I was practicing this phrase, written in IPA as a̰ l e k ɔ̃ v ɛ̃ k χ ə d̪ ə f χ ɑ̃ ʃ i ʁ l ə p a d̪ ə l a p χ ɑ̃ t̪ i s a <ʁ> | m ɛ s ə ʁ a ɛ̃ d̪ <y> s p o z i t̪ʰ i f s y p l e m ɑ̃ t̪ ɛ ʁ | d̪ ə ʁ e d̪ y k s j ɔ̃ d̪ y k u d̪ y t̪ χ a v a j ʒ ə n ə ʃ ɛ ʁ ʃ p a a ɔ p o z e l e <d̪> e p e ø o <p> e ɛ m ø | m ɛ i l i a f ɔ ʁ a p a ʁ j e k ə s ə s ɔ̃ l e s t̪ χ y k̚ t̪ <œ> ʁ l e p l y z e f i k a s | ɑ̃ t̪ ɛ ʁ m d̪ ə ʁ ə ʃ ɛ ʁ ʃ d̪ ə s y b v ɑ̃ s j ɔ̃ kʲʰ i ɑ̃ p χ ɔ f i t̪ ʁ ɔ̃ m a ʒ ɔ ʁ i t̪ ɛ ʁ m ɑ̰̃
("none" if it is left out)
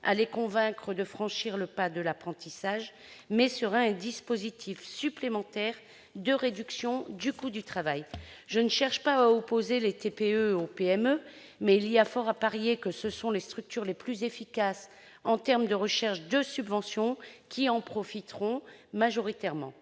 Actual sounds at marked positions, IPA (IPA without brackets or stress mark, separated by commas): ʒ, i, t̪, p, y